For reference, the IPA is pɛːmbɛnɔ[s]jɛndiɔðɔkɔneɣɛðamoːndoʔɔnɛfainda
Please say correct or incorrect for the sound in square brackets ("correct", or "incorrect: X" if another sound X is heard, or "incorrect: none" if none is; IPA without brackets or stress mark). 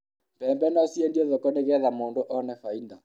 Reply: correct